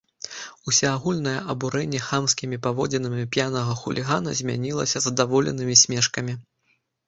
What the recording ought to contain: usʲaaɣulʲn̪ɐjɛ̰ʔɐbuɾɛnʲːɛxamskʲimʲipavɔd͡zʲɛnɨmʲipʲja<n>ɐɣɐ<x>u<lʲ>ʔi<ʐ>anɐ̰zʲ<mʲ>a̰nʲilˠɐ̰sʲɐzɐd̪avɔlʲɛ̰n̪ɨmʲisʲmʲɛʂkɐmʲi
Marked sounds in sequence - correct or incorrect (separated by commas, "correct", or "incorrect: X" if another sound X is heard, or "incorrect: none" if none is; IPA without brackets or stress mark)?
correct, correct, correct, incorrect: ɣ, correct